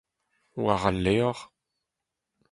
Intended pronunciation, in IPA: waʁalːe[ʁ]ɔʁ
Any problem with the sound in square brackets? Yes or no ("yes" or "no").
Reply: yes